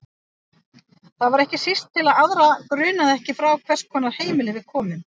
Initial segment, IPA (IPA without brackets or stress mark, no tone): θ